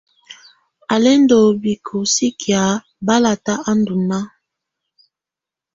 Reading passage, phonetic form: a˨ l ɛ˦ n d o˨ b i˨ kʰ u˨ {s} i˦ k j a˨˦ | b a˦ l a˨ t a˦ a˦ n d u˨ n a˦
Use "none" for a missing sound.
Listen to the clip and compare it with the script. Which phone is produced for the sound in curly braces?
s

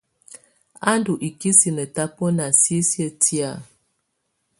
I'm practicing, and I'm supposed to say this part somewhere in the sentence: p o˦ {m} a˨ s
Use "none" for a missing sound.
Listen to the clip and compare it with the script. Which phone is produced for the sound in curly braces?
n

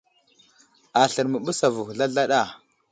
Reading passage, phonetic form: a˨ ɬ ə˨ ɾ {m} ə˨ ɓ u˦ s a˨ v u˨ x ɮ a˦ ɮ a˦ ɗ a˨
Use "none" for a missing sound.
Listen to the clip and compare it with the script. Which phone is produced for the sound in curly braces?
m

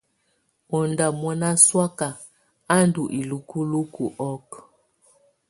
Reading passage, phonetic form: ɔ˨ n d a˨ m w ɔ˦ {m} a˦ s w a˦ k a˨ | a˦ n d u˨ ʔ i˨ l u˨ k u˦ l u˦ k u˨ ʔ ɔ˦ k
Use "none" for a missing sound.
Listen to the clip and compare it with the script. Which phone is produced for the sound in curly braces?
n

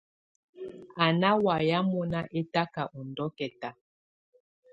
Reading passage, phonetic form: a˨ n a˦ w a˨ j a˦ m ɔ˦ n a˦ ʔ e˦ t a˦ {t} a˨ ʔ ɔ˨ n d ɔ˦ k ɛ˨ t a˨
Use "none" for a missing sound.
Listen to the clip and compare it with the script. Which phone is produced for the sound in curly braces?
k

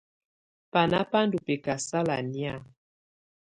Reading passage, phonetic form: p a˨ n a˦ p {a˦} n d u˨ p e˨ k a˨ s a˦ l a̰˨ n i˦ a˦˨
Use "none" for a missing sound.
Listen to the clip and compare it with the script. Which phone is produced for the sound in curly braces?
a˦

